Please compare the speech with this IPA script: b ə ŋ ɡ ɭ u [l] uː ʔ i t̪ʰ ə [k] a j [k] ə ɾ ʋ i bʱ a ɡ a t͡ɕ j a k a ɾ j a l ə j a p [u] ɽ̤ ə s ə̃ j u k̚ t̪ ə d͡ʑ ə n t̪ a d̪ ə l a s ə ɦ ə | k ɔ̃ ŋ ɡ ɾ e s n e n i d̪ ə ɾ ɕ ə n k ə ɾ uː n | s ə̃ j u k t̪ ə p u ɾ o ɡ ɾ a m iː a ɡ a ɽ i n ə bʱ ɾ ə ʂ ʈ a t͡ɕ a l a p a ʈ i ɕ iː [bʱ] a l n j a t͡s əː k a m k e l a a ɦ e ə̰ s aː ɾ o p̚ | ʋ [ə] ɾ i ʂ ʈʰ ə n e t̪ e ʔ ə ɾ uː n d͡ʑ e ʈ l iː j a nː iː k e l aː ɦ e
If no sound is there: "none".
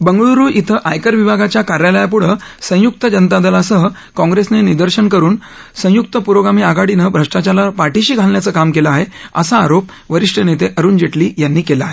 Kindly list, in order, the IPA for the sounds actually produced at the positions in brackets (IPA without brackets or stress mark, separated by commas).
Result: ɾ, ʔ, k, u, ɡʱ, ə